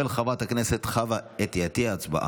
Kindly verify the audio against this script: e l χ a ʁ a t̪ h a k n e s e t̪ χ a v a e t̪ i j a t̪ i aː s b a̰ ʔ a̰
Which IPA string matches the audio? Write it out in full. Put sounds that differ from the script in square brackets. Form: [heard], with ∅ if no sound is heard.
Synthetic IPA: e l χ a [v] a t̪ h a k n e s e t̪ χ a v a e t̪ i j a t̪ i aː [t͡s] b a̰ ʔ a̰